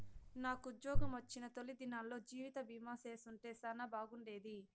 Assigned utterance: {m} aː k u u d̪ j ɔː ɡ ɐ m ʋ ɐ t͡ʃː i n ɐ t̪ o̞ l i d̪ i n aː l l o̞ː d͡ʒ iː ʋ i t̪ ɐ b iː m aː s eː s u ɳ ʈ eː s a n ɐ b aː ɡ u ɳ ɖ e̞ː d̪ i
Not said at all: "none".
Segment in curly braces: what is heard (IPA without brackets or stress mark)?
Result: n